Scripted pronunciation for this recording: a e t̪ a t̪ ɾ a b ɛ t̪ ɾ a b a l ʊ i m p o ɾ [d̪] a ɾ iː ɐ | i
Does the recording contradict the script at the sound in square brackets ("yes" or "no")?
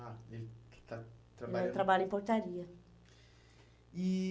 yes